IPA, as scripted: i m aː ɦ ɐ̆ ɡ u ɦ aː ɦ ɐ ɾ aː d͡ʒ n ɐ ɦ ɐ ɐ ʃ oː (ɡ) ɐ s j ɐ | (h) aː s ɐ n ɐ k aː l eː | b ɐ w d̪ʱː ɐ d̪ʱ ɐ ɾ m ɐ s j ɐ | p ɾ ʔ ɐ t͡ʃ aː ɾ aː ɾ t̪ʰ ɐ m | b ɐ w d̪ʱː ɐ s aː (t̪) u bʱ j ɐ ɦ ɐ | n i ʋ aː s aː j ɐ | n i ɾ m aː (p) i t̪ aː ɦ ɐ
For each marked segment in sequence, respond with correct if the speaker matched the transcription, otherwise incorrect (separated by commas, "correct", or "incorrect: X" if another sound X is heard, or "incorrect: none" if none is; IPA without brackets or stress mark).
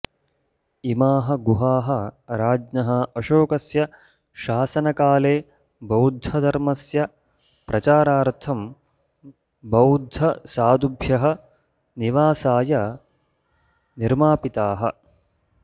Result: incorrect: k, incorrect: ʃ, incorrect: d̪, correct